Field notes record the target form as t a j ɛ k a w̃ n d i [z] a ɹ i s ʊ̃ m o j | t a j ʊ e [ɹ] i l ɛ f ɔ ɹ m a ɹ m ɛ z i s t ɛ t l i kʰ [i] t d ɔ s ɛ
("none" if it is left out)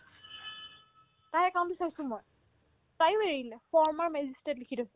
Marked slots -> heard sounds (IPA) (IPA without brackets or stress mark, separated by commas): s, ɹ, i